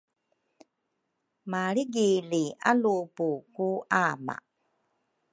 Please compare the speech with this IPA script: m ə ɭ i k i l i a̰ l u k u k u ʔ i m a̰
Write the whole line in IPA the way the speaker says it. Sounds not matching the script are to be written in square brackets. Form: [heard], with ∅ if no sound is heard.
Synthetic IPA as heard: m [a] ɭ i [ɡ] i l i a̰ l u [p] u k u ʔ [a] m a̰